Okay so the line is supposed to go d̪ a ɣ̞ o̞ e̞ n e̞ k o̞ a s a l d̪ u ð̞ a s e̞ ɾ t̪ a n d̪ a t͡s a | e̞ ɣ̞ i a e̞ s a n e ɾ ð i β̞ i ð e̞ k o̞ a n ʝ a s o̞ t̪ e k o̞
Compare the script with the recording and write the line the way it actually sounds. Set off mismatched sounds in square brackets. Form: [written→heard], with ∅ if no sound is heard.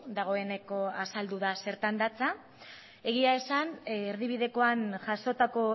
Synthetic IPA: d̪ a ɣ̞ o̞ e̞ n e̞ k o̞ a s a l d̪ u ð̞ a s e̞ ɾ t̪ a n d̪ a t͡s a | e̞ ɣ̞ i a e̞ s a n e ɾ ð i β̞ i ð e̞ k o̞ a n ʝ a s o̞ t̪ [e→a] k o̞